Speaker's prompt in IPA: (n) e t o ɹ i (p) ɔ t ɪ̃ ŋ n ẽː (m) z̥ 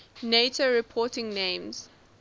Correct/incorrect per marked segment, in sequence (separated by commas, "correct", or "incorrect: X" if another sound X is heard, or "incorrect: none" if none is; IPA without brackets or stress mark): correct, incorrect: pʰ, correct